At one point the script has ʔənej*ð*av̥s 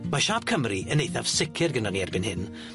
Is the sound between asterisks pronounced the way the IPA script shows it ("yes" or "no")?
no